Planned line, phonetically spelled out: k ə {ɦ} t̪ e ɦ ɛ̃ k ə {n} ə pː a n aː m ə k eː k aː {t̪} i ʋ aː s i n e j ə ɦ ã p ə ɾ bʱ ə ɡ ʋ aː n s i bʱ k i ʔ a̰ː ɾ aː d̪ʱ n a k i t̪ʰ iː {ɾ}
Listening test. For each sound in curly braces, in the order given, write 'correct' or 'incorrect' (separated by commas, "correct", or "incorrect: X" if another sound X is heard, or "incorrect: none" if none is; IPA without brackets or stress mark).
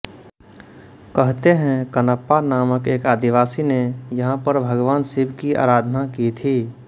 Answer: correct, correct, incorrect: d̪, incorrect: none